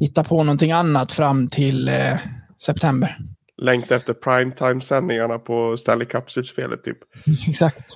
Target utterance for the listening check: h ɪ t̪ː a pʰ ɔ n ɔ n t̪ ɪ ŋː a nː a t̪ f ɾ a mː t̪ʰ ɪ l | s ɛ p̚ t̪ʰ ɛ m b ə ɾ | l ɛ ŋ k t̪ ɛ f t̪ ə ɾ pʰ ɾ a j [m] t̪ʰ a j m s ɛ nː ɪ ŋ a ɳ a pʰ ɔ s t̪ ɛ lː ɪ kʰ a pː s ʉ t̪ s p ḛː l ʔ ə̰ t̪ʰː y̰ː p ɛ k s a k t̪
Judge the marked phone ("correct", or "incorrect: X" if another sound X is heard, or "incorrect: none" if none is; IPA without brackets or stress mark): correct